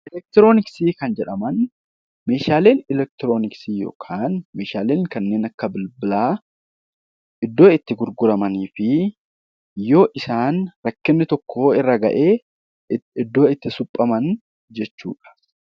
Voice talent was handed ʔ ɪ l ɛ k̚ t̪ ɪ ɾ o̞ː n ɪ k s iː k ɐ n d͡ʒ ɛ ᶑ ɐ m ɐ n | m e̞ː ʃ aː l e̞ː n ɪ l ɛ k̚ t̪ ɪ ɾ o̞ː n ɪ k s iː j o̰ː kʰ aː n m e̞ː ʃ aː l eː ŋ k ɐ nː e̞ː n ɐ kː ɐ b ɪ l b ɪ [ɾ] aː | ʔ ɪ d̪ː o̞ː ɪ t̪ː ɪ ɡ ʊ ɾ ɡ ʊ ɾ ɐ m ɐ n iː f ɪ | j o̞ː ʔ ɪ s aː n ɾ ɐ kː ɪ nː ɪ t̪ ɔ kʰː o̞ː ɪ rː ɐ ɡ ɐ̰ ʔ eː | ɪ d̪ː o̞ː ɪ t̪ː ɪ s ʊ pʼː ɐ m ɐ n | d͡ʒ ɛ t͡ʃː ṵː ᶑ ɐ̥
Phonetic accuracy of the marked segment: incorrect: l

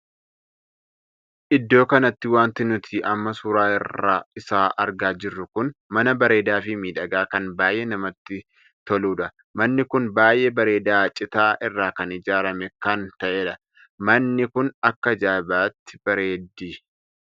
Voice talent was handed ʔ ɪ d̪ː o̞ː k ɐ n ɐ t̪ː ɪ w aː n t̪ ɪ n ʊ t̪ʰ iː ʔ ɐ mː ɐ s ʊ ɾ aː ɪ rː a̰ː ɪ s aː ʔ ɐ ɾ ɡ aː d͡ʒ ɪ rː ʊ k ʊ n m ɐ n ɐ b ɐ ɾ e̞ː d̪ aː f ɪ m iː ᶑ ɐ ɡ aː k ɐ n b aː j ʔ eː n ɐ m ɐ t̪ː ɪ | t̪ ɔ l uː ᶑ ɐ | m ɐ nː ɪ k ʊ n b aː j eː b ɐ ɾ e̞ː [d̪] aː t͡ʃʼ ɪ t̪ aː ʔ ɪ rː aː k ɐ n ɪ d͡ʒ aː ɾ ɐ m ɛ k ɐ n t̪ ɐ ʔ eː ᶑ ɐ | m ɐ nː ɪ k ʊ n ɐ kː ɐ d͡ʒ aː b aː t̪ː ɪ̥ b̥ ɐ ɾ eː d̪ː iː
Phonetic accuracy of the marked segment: correct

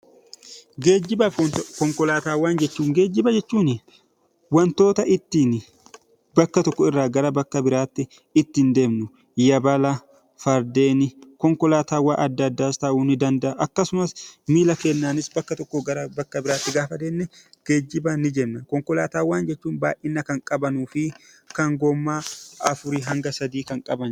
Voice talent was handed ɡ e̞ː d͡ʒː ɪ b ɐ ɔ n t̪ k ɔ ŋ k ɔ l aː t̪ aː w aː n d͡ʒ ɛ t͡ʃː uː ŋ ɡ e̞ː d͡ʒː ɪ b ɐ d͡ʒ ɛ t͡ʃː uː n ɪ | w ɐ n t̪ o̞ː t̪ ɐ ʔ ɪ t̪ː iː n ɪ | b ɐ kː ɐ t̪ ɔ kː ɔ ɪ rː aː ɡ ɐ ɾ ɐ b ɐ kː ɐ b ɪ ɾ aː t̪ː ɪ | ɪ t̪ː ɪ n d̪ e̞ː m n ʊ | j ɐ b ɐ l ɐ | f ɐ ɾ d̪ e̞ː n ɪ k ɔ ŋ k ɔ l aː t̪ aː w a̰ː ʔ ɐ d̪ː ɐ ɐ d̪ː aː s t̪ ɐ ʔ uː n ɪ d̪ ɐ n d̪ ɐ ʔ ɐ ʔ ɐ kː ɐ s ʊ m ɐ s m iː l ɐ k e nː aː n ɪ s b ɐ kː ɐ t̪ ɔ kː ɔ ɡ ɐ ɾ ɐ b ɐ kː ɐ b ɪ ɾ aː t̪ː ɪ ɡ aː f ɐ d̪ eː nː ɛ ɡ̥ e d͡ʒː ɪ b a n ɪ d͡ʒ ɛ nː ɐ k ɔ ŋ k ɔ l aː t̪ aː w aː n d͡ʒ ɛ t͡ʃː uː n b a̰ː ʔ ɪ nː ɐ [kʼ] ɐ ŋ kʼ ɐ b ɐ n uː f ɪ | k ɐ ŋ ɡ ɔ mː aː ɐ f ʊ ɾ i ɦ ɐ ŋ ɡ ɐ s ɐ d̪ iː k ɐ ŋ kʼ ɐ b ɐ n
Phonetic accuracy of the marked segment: incorrect: k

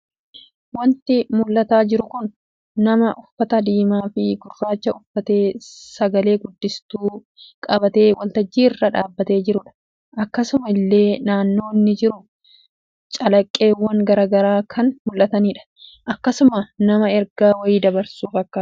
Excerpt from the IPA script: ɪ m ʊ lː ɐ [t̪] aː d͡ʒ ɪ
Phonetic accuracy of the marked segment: correct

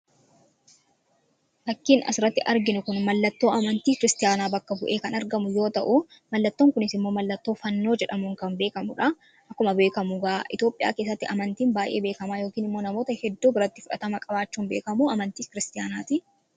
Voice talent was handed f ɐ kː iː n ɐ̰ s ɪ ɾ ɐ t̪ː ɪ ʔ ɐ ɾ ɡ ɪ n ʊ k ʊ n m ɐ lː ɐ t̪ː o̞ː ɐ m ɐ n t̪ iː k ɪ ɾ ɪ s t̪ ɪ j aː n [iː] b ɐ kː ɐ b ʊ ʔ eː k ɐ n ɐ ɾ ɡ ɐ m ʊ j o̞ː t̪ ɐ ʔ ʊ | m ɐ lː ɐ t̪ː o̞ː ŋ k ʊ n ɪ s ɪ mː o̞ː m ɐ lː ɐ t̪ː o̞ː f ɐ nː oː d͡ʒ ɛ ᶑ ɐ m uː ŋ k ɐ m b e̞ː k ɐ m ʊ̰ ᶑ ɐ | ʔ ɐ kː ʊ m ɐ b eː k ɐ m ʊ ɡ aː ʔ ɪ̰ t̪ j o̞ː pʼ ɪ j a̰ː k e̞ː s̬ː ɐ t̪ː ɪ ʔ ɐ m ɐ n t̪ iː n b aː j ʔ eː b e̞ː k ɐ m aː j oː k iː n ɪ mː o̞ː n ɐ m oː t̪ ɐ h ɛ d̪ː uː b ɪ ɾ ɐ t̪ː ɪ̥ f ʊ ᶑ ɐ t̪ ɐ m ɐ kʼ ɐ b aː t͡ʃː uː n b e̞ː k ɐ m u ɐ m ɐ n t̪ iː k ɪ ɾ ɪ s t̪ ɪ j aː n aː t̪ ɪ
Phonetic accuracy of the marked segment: incorrect: aː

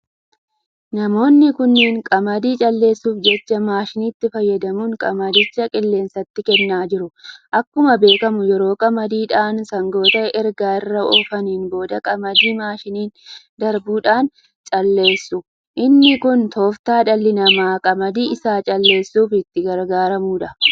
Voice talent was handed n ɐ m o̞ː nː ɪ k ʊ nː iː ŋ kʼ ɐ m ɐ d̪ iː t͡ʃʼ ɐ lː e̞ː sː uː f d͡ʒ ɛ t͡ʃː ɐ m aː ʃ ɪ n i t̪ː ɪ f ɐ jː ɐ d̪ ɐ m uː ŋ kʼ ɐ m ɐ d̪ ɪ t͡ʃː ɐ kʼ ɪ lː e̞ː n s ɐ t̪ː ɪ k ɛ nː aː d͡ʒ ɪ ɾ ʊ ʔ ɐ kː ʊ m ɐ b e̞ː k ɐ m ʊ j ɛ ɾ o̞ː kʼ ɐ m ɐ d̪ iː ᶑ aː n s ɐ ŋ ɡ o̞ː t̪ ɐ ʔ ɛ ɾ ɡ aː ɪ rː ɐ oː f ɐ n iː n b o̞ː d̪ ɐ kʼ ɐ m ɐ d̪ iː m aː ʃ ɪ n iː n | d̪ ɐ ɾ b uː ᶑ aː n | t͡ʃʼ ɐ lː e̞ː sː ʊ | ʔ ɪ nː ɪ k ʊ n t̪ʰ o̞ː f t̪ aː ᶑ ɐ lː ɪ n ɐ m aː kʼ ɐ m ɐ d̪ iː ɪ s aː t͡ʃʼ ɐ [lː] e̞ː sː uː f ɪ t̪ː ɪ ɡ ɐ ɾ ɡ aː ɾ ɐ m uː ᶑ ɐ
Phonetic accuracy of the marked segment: correct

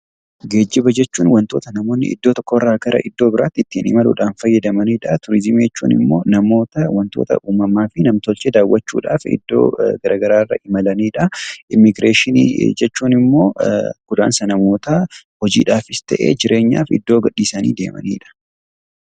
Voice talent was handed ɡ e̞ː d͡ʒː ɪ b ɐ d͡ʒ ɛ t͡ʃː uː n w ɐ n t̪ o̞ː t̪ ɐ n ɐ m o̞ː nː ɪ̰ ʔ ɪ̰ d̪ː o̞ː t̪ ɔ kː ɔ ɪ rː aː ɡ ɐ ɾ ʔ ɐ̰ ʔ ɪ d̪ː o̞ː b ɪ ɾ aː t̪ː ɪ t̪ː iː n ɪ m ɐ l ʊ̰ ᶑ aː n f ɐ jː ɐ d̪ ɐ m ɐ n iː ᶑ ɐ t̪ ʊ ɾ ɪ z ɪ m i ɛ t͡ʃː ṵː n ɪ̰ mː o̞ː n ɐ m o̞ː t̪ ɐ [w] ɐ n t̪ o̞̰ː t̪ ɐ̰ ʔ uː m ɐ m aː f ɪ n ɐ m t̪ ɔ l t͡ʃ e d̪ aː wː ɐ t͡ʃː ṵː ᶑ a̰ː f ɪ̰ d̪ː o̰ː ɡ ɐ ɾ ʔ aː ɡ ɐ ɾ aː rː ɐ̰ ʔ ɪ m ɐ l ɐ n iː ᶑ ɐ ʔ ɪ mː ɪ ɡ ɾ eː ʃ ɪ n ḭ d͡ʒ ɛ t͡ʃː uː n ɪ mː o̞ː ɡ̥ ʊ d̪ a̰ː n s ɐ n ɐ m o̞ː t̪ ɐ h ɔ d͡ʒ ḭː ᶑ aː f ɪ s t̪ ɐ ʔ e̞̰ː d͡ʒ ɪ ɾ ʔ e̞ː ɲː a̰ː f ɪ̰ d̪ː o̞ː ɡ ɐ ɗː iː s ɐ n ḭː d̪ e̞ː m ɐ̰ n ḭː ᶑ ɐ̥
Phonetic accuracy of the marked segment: correct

